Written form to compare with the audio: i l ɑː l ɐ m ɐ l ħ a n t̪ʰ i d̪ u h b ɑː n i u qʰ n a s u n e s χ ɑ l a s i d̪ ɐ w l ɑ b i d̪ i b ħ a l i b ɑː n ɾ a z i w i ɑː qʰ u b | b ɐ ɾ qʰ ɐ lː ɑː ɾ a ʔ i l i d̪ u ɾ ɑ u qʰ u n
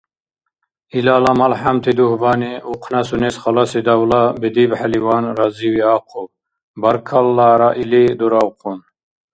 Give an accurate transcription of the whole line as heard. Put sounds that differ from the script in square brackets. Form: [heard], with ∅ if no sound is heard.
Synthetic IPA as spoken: i l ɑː l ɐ m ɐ l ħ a [m] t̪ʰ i d̪ u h b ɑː n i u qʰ n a s u n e s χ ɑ l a s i d̪ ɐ w l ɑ b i d̪ i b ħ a l i [w] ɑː n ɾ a z i w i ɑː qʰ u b | b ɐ ɾ [kʰ] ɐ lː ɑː ɾ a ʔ i l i d̪ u ɾ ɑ [w] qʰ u n